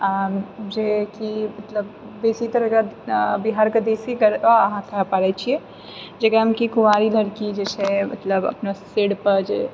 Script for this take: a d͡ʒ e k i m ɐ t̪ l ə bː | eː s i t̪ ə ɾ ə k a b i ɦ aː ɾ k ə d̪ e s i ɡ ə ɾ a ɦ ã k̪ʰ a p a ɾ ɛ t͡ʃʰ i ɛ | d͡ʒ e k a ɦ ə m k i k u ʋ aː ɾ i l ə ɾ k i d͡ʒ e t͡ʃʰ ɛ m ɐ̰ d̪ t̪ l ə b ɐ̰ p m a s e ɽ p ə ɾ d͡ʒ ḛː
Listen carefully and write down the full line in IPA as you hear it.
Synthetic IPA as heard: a d͡ʒ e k i m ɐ t̪ l ə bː | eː s i t̪ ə ɾ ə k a b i ɦ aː ɾ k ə d̪ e s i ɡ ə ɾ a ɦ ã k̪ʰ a p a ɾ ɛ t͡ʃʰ i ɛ | d͡ʒ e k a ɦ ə m k i k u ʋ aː ɾ i l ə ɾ k i d͡ʒ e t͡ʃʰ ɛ m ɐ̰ t̪ l ə b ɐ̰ p n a s e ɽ p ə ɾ d͡ʒ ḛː